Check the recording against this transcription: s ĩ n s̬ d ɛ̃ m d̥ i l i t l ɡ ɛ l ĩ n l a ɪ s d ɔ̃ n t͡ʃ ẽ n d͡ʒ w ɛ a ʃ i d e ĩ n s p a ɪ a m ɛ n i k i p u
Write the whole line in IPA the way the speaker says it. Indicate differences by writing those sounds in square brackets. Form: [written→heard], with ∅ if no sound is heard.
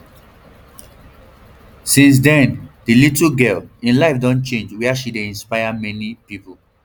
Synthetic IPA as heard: s ĩ n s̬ d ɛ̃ [m→n] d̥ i l i t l ɡ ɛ l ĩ n l a ɪ [s→f] d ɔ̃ n t͡ʃ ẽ n d͡ʒ w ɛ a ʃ i d e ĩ n s p a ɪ a m ɛ n i [k→p] i p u